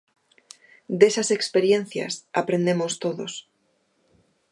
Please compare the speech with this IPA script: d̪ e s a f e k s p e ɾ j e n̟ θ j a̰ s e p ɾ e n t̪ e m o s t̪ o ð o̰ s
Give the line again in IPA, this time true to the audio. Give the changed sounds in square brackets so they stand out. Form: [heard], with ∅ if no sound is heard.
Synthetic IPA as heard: d̪ e s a [s] e k s p e ɾ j e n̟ θ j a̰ s [a] p ɾ e n [d̪] e m o s t̪ o ð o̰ s